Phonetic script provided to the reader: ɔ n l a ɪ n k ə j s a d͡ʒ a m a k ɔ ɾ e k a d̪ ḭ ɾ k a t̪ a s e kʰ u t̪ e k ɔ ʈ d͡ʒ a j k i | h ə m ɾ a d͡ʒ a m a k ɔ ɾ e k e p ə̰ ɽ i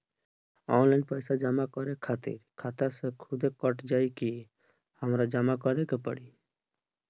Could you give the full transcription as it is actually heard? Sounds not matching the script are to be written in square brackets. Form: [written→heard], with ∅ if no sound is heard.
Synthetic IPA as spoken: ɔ n l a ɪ n [k→p] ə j s a d͡ʒ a m a k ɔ ɾ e [k→kʰ] a [d̪→t̪] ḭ ɾ [k→kʰ] a t̪ a s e kʰ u [t̪→d̪] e k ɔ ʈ d͡ʒ a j k i | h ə m ɾ a d͡ʒ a m a k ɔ ɾ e k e p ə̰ ɽ i